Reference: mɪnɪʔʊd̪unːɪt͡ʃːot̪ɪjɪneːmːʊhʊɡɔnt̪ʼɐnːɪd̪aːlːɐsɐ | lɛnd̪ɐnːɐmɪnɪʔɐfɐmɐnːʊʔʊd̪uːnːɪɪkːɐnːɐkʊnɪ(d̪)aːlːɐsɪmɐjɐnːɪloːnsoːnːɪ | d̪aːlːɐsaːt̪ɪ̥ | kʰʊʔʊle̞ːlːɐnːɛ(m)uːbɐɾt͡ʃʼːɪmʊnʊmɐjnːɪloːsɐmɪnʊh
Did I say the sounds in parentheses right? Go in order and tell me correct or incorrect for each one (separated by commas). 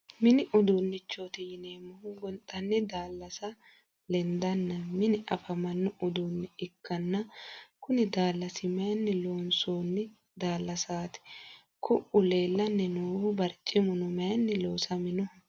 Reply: correct, incorrect